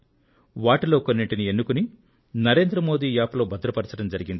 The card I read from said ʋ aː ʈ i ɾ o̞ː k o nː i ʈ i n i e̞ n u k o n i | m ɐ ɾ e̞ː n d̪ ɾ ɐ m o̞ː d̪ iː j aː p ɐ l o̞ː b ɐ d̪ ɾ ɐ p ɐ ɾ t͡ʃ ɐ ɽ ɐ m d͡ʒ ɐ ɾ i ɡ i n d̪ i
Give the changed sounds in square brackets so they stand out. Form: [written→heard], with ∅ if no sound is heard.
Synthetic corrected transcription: ʋ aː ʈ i [ɾ→l] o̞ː k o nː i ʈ i n i e̞ [n→nː] u k [o→u] n i | [m→n] ɐ ɾ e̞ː n d̪ ɾ ɐ m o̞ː d̪ iː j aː p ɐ l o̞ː b ɐ d̪ ɾ ɐ p ɐ ɾ t͡ʃ ɐ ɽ ɐ m d͡ʒ ɐ ɾ i ɡ i n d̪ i

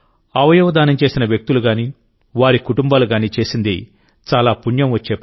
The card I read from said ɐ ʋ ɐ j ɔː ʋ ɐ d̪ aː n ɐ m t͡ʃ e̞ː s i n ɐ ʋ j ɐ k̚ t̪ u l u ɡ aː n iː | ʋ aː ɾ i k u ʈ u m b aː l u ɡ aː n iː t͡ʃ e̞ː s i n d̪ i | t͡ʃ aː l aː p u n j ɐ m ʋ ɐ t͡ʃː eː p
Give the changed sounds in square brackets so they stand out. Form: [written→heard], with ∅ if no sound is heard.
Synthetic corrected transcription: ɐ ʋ ɐ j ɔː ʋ ɐ d̪ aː n ɐ m t͡ʃ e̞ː s i n ɐ ʋ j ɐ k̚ t̪ u l u ɡ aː n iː | ʋ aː ɾ i k u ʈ u m b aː l u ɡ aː n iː t͡ʃ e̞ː s i n d̪ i | t͡ʃ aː l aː p u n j ɐ m ʋ ɐ t͡ʃː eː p

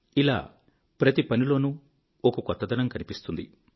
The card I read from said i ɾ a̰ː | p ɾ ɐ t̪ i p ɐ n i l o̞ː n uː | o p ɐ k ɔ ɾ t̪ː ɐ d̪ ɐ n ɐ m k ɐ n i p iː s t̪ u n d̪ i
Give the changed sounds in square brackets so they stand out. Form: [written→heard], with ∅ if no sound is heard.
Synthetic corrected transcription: i [ɾ→l] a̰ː | p ɾ ɐ t̪ i p ɐ n i l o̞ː n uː | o [p→k] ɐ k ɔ [ɾ→∅] t̪ː ɐ d̪ ɐ n ɐ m k ɐ n i p [iː→i] s t̪ u n d̪ i

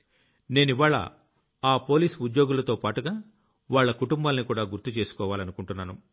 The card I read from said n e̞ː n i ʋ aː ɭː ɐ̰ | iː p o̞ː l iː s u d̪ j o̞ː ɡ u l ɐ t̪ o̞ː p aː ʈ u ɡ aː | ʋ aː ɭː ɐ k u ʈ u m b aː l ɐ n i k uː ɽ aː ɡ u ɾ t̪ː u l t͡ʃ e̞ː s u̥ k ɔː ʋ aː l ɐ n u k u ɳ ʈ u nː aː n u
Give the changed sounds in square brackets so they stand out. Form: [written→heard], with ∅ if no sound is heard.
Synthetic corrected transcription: n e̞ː n i ʋ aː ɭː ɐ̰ | [iː→aː] p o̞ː l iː s u d̪ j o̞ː ɡ u l ɐ t̪ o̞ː p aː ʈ u ɡ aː | ʋ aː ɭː ɐ k u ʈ u m b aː l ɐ n i k uː ɽ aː ɡ u ɾ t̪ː u [l→∅] t͡ʃ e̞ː s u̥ k ɔː ʋ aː l ɐ n u k u ɳ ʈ u nː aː n u

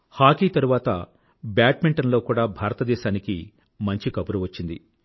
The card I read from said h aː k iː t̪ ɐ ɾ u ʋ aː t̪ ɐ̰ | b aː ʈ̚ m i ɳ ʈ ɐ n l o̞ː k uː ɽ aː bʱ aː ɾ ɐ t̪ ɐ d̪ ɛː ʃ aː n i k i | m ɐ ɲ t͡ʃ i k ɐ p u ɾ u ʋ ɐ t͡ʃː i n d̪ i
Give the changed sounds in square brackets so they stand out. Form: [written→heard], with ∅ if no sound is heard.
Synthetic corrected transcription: h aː k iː t̪ ɐ ɾ u ʋ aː t̪ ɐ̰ | b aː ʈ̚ m i ɳ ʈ ɐ n l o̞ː k uː ɽ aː bʱ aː ɾ ɐ t̪ ɐ d̪ ɛː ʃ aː n i k i | m ɐ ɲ t͡ʃ i k ɐ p u ɾ u ʋ ɐ t͡ʃː i n d̪ i

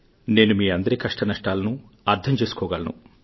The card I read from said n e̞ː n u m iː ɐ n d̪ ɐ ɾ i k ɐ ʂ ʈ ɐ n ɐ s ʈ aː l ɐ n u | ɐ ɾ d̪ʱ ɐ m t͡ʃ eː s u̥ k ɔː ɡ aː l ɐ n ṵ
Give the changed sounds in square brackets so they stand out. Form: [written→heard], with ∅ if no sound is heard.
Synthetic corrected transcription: n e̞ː n u m iː ɐ n d̪ ɐ ɾ i k ɐ ʂ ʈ ɐ n ɐ [s→ʂ] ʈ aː l ɐ n u | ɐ ɾ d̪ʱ ɐ m t͡ʃ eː s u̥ k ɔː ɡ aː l ɐ n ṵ

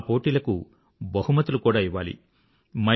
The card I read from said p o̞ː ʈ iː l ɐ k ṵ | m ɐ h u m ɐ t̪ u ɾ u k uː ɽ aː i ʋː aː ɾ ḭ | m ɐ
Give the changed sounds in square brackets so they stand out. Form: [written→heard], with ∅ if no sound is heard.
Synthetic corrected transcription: p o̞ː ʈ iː l ɐ k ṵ | [m→b] ɐ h u m ɐ t̪ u [ɾ→l] u k uː ɽ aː i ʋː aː [ɾ→l] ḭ | m ɐ

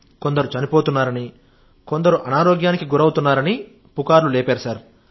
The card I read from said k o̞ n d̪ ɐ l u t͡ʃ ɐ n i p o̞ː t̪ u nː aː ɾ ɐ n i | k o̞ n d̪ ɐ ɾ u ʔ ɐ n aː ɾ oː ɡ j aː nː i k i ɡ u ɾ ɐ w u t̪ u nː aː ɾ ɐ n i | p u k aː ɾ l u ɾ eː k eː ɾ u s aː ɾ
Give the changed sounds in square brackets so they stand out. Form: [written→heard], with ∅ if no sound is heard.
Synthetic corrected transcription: k o̞ n d̪ ɐ [l→ɾ] u t͡ʃ ɐ n i p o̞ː t̪ u nː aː ɾ ɐ n i | k o̞ n d̪ ɐ ɾ u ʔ ɐ n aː ɾ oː ɡ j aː [nː→n] i k i ɡ u ɾ ɐ w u t̪ u nː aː ɾ ɐ n i | p u k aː ɾ l u [ɾ→l] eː [k→p] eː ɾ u s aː ɾ

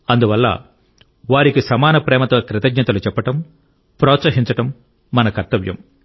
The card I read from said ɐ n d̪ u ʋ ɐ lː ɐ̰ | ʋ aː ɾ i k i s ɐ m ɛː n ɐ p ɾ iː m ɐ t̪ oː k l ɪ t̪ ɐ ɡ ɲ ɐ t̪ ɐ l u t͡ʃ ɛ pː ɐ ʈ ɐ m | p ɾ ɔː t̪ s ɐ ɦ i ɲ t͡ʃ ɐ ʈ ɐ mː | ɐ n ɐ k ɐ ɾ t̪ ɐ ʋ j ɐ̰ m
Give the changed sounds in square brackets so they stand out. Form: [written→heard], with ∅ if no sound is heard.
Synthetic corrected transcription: ɐ n d̪ u ʋ ɐ lː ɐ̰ | ʋ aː ɾ i k i s ɐ m [ɛː→aː] n ɐ p ɾ [iː→ɛː] m ɐ t̪ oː k [l→ɾ] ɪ t̪ ɐ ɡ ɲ ɐ t̪ ɐ l u t͡ʃ ɛ pː ɐ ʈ ɐ m | p ɾ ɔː t̪ s ɐ ɦ i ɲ t͡ʃ ɐ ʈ ɐ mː | ɐ n ɐ k ɐ ɾ t̪ ɐ ʋ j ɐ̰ m

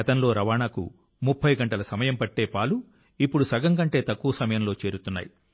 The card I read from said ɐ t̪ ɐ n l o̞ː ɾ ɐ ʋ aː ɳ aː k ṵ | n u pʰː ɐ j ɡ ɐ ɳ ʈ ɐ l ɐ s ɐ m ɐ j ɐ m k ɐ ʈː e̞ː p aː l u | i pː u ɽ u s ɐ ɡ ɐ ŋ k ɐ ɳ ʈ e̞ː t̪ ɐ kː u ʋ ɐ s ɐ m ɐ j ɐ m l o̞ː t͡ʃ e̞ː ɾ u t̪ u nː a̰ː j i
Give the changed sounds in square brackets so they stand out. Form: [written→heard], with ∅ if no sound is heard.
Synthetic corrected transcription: ɐ t̪ ɐ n l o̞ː ɾ ɐ ʋ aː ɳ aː k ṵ | [n→m] u pʰː ɐ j ɡ ɐ ɳ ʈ ɐ l ɐ s ɐ m ɐ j ɐ m [k→p] ɐ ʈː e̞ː p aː l u | i pː u ɽ u s ɐ ɡ ɐ ŋ k ɐ ɳ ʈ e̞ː t̪ ɐ kː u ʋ ɐ s ɐ m ɐ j ɐ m l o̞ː t͡ʃ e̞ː ɾ u t̪ u nː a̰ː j i

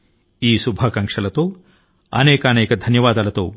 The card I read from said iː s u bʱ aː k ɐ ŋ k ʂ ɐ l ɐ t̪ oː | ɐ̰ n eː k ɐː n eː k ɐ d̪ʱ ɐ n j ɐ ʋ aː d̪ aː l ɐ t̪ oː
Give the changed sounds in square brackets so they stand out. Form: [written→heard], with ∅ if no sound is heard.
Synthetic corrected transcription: iː s u bʱ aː k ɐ ŋ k ʂ ɐ l ɐ t̪ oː | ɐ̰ n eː k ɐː n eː k ɐ d̪ʱ ɐ n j ɐ ʋ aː d̪ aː l ɐ t̪ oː

